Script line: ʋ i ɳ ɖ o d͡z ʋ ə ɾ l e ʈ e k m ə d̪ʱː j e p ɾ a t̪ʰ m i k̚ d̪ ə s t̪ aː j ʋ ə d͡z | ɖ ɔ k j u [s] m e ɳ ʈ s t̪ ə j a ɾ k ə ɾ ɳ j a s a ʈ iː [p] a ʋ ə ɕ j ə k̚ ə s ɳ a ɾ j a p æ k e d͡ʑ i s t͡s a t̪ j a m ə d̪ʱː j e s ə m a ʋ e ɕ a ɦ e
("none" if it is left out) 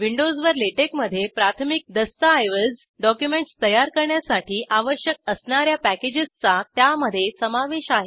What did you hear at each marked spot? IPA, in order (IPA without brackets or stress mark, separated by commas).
none, ʔ